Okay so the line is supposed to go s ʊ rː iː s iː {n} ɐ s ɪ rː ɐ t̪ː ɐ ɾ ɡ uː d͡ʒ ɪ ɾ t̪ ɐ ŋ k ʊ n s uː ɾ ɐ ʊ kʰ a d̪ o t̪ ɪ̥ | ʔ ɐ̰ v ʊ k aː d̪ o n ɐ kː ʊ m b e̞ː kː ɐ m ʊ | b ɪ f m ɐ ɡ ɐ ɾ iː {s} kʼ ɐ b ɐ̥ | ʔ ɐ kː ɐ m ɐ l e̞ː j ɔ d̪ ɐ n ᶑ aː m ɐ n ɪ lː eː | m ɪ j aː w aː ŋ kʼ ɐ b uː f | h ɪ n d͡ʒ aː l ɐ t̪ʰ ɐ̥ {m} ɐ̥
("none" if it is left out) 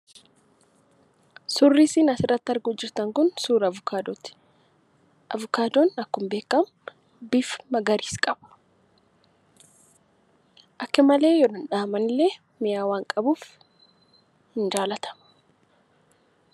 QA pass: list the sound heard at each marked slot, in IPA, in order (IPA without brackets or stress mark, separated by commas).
n, s, m